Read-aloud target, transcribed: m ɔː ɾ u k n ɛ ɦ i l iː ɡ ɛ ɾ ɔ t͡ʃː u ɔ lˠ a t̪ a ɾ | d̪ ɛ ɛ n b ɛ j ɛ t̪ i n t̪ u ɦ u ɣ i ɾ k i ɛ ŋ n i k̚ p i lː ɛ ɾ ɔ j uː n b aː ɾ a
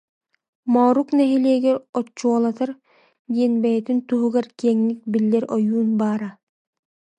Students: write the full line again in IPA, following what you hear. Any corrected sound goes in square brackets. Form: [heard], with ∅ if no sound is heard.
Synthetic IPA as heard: m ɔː ɾ u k n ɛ ɦ i l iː ɡ ɛ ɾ ɔ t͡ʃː u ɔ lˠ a t̪ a ɾ | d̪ [i] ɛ n b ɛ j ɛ t̪ i n t̪ u ɦ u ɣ [a] ɾ k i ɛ ŋ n i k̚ [b] i lː ɛ ɾ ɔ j uː n b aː ɾ a